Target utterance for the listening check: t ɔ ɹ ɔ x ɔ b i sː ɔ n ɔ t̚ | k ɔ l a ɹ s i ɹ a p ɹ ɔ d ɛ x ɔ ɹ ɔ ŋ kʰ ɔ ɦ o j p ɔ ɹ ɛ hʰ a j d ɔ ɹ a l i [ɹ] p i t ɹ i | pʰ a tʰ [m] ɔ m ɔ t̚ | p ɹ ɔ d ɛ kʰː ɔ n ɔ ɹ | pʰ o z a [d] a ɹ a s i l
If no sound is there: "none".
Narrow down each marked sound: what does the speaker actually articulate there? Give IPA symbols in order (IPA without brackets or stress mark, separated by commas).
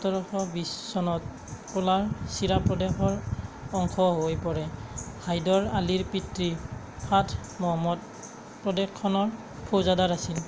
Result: ɹ, m, d